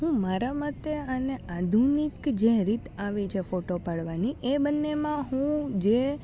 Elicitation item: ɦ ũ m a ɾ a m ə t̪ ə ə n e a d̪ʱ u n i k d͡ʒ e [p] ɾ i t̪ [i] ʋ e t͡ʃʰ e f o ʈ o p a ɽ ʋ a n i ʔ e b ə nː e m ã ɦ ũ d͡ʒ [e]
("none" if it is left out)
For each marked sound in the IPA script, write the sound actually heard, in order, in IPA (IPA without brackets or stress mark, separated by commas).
none, a, e